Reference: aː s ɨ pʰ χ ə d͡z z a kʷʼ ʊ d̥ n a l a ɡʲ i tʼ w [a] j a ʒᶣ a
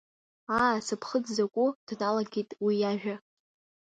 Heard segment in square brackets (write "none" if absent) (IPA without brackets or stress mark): i